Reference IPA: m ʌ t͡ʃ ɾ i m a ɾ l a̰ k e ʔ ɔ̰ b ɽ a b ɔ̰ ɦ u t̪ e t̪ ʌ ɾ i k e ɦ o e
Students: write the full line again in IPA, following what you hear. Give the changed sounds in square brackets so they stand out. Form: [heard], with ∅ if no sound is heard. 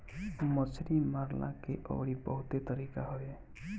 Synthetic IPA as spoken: m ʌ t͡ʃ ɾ i m a ɾ l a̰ k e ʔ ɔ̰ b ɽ [i] b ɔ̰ ɦ u t̪ e t̪ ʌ ɾ i k [a] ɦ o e